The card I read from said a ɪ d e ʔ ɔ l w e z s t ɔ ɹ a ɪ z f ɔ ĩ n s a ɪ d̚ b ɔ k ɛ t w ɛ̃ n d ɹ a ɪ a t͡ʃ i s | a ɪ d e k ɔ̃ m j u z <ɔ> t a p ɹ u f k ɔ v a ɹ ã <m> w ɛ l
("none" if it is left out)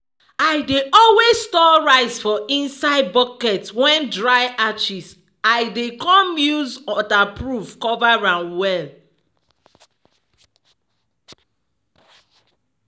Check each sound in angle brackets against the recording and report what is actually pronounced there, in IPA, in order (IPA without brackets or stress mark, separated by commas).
ɔ, n